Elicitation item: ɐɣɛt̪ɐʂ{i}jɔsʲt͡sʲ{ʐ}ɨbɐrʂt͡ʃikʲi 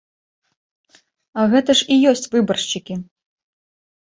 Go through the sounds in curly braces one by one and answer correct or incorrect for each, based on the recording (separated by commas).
correct, incorrect